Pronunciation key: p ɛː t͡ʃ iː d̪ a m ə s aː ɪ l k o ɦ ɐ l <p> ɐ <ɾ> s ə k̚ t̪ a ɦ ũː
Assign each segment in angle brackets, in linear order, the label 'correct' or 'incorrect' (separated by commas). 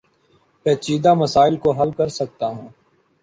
incorrect, correct